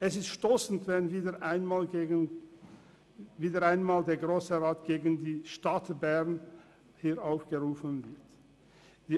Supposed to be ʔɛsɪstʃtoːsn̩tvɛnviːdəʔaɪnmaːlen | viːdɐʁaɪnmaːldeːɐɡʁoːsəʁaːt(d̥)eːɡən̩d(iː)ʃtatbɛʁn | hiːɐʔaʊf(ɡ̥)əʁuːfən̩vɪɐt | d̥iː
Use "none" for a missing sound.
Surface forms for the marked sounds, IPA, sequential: ɡ̥, iː, ɡ̥

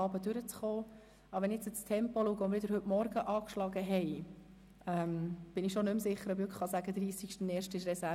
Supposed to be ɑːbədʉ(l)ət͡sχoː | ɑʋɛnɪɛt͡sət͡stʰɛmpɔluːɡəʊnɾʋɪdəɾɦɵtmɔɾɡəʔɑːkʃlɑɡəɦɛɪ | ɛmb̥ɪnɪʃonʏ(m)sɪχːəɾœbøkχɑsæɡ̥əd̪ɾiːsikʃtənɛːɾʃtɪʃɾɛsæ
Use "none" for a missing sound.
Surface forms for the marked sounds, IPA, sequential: ɾ, m

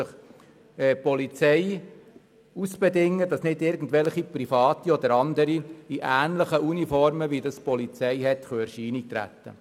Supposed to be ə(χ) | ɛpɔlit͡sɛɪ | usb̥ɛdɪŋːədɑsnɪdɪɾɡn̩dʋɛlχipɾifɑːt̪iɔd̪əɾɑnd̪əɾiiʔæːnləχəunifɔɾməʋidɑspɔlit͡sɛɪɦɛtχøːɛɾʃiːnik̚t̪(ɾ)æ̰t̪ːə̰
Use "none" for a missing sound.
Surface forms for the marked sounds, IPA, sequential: χ, ɾ

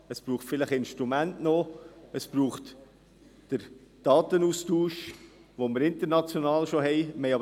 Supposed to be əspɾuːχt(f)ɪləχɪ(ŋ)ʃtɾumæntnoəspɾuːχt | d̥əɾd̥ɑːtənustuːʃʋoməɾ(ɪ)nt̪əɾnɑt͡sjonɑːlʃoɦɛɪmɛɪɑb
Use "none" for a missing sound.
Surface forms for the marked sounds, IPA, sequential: f, n, ɪ

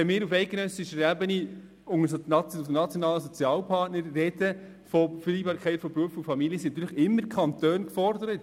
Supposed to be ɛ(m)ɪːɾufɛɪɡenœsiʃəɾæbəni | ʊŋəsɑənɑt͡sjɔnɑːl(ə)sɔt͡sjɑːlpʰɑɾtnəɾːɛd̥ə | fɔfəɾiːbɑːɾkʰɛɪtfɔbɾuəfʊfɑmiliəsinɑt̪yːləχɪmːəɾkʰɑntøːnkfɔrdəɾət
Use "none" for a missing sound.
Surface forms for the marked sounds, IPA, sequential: m, ə

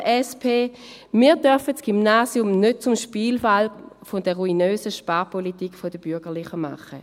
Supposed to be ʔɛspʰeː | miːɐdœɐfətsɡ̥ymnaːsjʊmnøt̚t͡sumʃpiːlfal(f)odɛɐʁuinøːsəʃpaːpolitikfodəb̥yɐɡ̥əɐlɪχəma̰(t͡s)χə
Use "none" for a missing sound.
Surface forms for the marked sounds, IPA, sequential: f, none

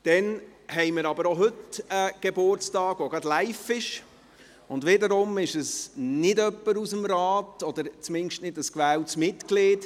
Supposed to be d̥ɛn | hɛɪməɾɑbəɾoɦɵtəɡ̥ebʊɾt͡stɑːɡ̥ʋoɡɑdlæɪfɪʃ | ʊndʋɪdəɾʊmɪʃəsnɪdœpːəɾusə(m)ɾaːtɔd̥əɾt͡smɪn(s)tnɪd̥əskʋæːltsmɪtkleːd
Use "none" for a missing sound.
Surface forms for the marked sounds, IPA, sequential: m, ʃ

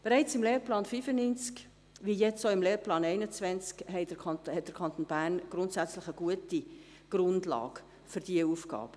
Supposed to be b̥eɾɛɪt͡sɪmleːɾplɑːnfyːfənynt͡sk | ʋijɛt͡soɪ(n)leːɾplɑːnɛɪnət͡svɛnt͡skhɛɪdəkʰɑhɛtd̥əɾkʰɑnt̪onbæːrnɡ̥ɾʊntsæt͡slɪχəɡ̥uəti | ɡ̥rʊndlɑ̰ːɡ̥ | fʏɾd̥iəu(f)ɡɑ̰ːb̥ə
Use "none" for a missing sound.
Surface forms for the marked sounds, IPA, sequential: m, f

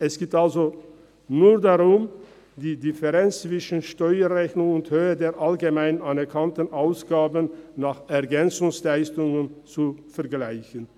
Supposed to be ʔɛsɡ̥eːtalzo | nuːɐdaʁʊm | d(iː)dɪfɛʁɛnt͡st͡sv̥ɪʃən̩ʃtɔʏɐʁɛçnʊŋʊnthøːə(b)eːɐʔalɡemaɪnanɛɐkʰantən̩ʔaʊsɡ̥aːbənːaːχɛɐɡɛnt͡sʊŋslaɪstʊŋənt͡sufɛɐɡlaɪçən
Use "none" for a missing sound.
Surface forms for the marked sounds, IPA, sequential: iː, d

